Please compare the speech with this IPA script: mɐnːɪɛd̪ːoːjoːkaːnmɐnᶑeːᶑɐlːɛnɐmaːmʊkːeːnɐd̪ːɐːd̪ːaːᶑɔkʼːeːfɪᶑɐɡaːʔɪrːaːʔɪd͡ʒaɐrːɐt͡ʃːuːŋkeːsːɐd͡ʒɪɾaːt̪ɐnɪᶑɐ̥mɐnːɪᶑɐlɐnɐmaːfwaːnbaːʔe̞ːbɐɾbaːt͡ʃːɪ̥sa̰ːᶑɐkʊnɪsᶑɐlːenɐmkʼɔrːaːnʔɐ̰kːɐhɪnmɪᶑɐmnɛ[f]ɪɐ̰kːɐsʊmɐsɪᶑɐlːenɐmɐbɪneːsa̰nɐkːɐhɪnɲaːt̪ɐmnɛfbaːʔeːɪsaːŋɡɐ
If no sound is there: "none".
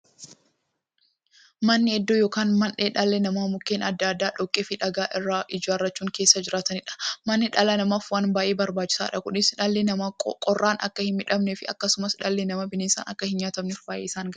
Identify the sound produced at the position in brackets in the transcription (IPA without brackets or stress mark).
f